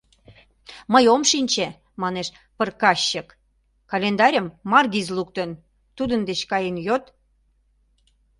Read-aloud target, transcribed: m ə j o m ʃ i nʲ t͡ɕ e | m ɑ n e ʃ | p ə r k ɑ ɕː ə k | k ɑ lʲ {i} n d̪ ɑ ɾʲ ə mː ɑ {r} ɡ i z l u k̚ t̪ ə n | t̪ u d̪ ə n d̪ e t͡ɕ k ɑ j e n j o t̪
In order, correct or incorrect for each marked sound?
incorrect, correct

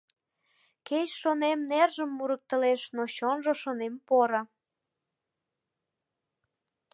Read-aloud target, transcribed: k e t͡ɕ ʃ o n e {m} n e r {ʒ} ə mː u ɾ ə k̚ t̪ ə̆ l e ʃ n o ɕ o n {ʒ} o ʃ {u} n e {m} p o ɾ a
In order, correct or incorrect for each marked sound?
correct, correct, correct, incorrect, correct

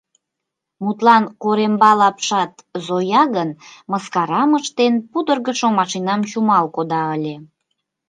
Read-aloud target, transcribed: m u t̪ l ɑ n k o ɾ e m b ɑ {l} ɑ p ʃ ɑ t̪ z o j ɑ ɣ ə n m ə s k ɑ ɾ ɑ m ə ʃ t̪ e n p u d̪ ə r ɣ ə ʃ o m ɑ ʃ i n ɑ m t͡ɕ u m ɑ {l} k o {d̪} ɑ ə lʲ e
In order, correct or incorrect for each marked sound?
correct, correct, correct

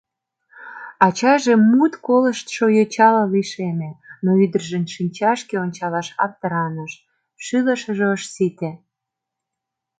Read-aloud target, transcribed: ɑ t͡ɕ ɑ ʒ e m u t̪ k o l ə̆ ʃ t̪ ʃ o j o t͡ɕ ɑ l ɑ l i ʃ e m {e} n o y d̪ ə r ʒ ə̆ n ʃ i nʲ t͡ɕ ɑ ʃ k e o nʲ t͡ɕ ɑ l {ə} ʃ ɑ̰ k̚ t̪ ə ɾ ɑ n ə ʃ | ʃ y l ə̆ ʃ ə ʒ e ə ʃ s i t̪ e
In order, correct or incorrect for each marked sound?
correct, incorrect

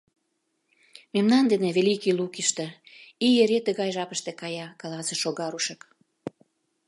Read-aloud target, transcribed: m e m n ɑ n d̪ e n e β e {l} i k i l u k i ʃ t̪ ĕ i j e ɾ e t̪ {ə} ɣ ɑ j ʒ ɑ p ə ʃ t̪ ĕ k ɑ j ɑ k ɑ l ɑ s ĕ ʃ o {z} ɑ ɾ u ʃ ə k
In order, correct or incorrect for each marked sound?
correct, correct, incorrect

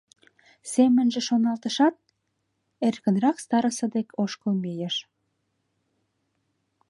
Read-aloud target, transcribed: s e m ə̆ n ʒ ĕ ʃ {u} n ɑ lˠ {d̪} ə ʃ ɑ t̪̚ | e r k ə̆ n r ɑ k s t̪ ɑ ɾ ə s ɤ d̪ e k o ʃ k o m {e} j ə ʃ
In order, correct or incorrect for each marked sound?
incorrect, incorrect, correct

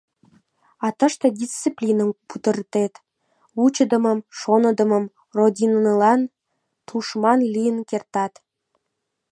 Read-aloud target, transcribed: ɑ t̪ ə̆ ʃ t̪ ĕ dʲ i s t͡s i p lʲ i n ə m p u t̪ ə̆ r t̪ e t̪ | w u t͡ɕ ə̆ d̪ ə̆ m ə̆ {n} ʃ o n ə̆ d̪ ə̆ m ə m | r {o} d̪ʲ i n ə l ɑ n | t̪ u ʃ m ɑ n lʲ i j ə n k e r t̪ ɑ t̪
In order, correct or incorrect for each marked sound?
incorrect, correct

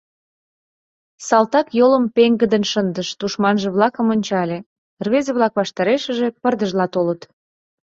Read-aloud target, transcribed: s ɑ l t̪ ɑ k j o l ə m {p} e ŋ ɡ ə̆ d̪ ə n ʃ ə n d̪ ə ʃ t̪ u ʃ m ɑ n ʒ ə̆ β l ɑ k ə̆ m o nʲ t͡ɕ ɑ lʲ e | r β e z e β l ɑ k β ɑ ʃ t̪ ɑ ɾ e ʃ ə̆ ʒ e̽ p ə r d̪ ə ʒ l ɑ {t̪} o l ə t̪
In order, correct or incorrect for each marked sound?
correct, correct

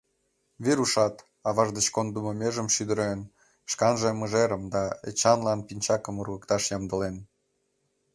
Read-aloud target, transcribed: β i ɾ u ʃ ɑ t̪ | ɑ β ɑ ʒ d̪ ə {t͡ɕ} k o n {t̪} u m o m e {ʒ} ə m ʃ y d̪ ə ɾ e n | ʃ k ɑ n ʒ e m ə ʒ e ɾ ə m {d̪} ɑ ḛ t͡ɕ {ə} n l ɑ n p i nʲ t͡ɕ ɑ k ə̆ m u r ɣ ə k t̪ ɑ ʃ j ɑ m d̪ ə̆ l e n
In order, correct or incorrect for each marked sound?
correct, incorrect, correct, correct, incorrect

